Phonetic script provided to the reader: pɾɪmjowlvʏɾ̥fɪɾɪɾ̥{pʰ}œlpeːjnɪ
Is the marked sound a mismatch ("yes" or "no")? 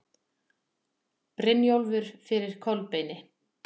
yes